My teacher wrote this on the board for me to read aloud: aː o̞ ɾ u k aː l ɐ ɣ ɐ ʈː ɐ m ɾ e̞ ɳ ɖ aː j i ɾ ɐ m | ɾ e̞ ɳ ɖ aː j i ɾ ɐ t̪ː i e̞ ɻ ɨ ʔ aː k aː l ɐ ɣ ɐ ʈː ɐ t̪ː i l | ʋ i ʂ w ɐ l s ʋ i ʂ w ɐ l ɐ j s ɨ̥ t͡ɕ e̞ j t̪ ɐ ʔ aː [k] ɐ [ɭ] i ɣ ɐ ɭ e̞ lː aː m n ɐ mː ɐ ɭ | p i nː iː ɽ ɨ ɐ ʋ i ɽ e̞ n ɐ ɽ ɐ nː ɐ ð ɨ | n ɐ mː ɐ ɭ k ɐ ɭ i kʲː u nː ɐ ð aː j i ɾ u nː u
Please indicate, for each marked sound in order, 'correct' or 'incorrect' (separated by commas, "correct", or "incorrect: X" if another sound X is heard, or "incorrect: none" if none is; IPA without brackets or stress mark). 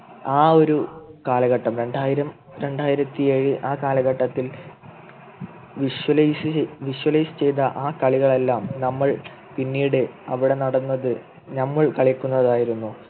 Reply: correct, correct